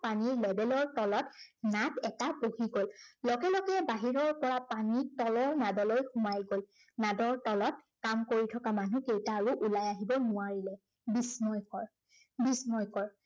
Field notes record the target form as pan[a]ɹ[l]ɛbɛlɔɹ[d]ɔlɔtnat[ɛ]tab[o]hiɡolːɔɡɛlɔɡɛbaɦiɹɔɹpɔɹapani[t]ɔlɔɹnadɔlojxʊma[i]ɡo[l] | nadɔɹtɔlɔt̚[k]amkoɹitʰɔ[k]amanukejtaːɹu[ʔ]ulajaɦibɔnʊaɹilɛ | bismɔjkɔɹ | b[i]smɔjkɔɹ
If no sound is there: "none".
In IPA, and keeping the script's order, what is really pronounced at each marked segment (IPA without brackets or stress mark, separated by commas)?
i, l, t, ɛ, o, t, j, l, k, k, ʔ, i